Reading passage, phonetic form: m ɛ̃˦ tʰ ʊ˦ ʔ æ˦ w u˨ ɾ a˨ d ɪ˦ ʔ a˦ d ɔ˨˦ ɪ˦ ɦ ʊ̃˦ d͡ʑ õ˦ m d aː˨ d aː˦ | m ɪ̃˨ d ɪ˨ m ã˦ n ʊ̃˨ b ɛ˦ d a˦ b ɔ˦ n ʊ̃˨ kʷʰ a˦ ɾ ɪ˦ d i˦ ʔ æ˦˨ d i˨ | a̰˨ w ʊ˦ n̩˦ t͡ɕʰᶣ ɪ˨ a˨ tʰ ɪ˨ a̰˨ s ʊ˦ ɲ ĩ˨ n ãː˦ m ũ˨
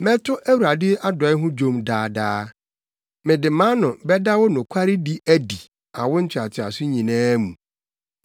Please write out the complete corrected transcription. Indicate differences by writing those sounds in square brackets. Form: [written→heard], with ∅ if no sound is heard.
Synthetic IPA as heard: m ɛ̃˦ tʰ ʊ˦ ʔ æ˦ w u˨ ɾ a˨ d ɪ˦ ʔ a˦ d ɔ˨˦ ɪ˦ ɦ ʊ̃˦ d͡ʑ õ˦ m d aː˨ d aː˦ | m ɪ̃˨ d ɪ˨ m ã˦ n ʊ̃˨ b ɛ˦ d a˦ [b→w] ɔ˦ n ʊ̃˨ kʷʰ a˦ ɾ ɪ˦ d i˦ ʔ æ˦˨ d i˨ | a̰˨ w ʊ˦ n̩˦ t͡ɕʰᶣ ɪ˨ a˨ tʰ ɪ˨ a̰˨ s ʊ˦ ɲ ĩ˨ n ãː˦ m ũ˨